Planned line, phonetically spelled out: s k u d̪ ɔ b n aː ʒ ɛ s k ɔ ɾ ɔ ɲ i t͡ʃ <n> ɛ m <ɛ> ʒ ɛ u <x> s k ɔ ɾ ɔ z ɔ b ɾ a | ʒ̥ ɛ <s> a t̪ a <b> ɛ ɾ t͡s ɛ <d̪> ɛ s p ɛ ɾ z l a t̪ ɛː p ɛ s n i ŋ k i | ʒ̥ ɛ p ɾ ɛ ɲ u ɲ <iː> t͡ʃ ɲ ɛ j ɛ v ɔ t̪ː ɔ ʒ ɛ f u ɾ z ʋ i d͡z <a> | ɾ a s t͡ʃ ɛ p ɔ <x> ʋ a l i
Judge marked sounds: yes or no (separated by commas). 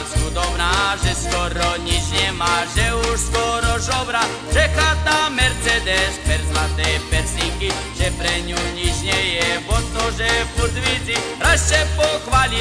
no, no, no, no, no, yes, no, no, yes